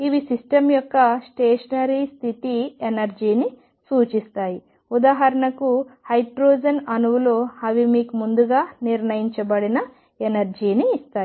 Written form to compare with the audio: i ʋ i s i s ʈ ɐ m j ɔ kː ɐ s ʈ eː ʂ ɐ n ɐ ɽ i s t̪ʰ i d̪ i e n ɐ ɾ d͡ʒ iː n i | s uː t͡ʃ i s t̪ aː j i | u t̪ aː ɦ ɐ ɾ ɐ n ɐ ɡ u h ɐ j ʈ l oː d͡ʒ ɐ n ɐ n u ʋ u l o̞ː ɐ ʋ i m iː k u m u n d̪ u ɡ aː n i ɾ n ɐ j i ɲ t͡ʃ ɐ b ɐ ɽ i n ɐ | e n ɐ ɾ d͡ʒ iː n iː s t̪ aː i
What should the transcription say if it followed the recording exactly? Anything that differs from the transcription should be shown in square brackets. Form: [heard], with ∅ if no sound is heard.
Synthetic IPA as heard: i ʋ i s i s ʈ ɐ m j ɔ kː ɐ s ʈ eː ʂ ɐ n ɐ [ɾ] i s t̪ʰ i [t̪] i e n ɐ ɾ d͡ʒ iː n i | s uː t͡ʃ i s t̪ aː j i | u [d̪] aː ɦ ɐ ɾ ɐ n ɐ [k] u h ɐ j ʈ [ɾ] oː d͡ʒ ɐ n ɐ n u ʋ u l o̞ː ɐ ʋ i m iː k u m u n d̪ u ɡ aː n i ɾ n ɐ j i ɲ t͡ʃ ɐ b ɐ ɽ i n ɐ | e n ɐ ɾ d͡ʒ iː n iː s t̪ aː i

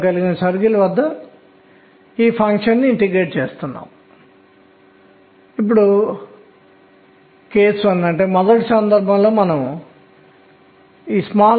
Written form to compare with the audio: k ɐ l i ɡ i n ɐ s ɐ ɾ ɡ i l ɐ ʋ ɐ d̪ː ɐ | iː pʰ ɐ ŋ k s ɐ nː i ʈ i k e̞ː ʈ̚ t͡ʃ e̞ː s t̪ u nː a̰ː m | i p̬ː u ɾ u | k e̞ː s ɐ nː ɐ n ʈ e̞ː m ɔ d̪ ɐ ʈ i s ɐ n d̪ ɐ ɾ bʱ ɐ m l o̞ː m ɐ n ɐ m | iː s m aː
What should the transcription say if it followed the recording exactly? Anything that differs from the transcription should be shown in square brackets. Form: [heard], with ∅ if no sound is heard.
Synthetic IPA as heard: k ɐ l i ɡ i n ɐ s ɐ ɾ ɡ i l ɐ ʋ ɐ d̪ː ɐ | iː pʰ ɐ ŋ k [ʂ] ɐ nː i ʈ i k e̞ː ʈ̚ t͡ʃ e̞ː s t̪ u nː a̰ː m | i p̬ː u [ɽ] u | k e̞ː s ɐ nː ɐ [ɳ] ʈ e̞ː m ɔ d̪ ɐ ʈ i s ɐ n d̪ ɐ ɾ bʱ ɐ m l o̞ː m ɐ n ɐ m | iː s m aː

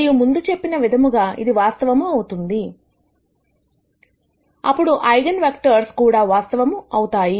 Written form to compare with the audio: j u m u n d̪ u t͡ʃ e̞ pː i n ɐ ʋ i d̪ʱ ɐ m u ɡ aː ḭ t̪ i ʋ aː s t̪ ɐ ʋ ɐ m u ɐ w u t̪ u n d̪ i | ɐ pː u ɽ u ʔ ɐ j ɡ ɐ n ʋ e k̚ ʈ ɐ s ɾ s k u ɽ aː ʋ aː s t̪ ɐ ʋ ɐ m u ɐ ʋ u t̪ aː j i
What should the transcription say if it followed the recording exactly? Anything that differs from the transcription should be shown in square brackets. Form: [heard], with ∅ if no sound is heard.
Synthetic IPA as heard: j u m u n d̪ u t͡ʃ e̞ pː i n ɐ ʋ i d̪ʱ ɐ m u ɡ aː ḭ [d̪] i ʋ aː s t̪ ɐ ʋ ɐ m u ɐ w u t̪ u n d̪ i | ɐ pː u ɽ u ʔ ɐ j ɡ ɐ n ʋ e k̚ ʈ ɐ [∅] ɾ s k [uː] ɽ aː ʋ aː s t̪ ɐ ʋ ɐ m u ɐ [w] u t̪ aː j i

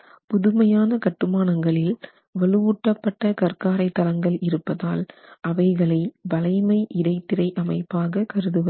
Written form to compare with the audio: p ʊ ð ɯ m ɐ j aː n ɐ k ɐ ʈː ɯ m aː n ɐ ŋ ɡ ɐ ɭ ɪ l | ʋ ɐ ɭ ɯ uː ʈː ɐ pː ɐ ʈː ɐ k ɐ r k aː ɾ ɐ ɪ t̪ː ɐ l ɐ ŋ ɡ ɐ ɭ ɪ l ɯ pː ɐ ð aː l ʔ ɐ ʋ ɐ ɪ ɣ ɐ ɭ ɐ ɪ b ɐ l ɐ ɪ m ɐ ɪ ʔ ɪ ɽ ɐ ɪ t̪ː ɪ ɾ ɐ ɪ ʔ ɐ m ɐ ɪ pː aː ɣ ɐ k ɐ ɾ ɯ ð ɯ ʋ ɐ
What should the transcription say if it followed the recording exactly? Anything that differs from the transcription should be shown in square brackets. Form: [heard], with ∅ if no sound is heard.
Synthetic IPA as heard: p ʊ ð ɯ m ɐ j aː n ɐ k ɐ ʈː ɯ m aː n ɐ ŋ ɡ ɐ ɭ ɪ l | ʋ ɐ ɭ ɯ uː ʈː ɐ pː ɐ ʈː ɐ k ɐ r k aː ɾ ɐ ɪ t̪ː ɐ l ɐ ŋ ɡ ɐ ɭ ɪ [ɾ] ɯ pː ɐ ð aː l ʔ ɐ ʋ ɐ ɪ ɣ ɐ ɭ ɐ ɪ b ɐ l ɐ ɪ m ɐ ɪ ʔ ɪ ɽ ɐ ɪ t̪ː ɪ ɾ ɐ ɪ ʔ ɐ m ɐ ɪ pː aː ɣ ɐ k ɐ ɾ ɯ ð ɯ ʋ ɐ

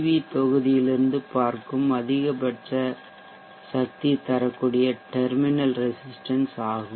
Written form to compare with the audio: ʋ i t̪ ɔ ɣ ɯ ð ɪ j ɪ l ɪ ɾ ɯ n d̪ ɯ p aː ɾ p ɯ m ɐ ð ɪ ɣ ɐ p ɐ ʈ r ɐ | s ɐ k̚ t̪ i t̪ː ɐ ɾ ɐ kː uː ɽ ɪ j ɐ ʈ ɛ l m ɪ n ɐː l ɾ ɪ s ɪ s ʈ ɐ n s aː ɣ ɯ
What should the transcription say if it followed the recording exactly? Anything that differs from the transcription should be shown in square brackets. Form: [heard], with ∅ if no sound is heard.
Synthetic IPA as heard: ʋ i t̪ ɔ ɣ ɯ ð ɪ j ɪ l ɪ ɾ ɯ n d̪ ɯ p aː ɾ [k] ɯ m ɐ ð ɪ ɣ ɐ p ɐ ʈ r ɐ | s ɐ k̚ t̪ i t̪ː ɐ ɾ ɐ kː uː ɽ ɪ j ɐ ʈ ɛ [ɾ] m ɪ n [ɐ] l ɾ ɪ s ɪ s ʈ ɐ n s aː ɣ ɯ

